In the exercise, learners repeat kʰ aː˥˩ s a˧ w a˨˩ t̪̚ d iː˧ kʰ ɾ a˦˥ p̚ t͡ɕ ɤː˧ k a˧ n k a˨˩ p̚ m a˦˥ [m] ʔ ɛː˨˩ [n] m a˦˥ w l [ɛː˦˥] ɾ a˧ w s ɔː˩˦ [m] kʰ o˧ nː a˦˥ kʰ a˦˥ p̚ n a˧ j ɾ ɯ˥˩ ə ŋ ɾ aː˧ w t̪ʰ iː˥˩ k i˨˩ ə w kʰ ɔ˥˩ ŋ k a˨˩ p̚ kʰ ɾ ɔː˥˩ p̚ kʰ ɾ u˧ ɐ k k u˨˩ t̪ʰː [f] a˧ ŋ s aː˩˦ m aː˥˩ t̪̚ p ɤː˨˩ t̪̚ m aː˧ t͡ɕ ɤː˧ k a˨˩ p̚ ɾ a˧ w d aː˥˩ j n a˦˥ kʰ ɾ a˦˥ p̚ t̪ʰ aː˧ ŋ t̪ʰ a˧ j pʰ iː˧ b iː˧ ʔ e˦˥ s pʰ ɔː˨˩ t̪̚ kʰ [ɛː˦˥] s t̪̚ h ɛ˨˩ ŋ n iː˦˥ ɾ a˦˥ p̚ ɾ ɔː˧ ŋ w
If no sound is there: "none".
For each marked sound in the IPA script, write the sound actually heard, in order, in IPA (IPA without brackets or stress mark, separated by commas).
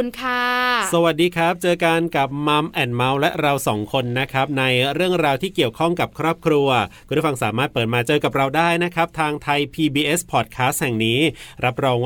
m, n, ɛ˦˥, ŋ, f, aː˦˥